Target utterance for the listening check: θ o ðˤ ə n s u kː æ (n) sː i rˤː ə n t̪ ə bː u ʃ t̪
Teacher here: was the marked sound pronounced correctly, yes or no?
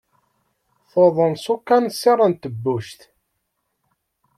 yes